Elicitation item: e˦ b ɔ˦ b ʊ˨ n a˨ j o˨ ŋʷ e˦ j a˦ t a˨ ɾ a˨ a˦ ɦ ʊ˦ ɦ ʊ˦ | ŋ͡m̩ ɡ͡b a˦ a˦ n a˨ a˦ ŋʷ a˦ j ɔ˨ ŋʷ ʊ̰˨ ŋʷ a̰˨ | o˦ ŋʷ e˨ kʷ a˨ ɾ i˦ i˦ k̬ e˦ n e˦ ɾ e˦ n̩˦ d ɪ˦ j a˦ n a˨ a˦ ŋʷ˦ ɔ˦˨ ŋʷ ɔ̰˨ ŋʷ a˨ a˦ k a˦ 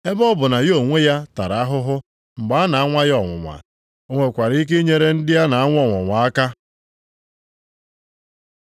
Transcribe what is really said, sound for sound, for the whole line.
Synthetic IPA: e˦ b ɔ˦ b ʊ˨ n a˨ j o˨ ŋʷ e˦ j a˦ t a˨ ɾ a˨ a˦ ɦ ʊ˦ ɦ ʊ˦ | ŋ͡m̩ ɡ͡b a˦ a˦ n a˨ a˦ ŋʷ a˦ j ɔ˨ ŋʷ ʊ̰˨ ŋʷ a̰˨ | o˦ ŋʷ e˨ kʷ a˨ ɾ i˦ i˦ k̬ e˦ ɲ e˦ ɾ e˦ n̩˦ d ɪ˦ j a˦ n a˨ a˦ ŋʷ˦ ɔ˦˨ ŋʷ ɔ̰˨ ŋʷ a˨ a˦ k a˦